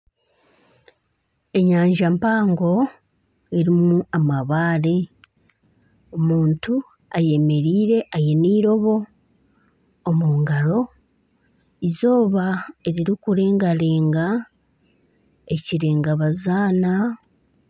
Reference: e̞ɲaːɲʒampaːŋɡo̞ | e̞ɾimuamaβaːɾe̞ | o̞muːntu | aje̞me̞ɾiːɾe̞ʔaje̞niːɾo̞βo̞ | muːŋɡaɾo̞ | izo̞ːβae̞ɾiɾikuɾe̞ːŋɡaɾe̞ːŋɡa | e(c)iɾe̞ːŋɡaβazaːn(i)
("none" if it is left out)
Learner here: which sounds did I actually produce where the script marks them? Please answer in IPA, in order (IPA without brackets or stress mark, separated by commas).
c, a